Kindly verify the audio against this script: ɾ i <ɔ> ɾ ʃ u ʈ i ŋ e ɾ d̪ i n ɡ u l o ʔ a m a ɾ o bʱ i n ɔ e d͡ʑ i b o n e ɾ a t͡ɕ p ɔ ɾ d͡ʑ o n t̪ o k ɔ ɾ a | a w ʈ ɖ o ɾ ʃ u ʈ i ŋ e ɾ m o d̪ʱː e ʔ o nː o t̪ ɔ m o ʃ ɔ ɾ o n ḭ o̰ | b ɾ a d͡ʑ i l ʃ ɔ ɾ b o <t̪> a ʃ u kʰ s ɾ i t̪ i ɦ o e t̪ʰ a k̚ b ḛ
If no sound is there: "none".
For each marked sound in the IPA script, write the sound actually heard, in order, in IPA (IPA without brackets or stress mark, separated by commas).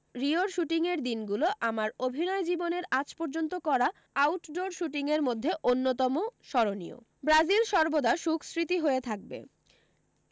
o, d̪